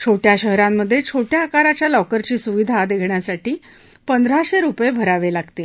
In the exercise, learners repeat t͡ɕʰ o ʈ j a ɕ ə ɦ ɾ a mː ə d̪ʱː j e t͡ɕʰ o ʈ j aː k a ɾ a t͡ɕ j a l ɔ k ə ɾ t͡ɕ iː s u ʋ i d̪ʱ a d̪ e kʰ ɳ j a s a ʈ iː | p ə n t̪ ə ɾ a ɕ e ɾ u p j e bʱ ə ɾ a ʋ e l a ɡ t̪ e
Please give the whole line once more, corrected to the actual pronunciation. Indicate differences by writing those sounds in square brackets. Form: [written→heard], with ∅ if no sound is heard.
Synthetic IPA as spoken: t͡ɕʰ o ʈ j a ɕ ə ɦ ɾ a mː ə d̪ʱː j e t͡ɕʰ o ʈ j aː k a ɾ a t͡ɕ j a l ɔ k ə ɾ t͡ɕ iː s u ʋ i d̪ʱ a d̪ e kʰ ɳ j a s a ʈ iː | p ə n [t̪→d̪] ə ɾ a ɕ e ɾ u p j e bʱ ə ɾ a ʋ e l a ɡ t̪ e